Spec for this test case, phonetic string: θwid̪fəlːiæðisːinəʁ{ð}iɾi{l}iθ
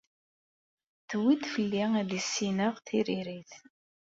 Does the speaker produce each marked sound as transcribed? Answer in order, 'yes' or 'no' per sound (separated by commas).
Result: no, no